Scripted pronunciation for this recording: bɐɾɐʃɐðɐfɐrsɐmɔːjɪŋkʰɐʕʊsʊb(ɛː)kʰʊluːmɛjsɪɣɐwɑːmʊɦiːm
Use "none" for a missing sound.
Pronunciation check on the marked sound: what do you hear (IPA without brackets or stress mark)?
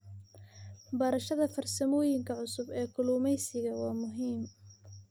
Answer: ɛː